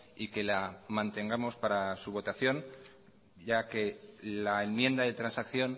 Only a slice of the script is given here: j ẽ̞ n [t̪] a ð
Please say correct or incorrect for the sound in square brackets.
incorrect